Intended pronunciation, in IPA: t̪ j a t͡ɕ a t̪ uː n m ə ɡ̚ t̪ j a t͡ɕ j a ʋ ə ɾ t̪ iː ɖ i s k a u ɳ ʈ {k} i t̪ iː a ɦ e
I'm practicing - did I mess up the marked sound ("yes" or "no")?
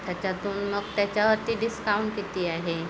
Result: no